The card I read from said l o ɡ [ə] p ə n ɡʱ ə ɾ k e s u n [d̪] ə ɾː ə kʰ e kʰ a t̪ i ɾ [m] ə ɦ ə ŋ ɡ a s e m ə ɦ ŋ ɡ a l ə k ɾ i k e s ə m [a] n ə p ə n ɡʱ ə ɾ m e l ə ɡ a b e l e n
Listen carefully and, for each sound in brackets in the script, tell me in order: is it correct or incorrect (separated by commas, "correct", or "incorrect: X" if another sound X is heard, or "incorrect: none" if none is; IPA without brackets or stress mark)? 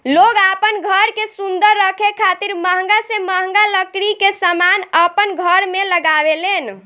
incorrect: a, correct, correct, correct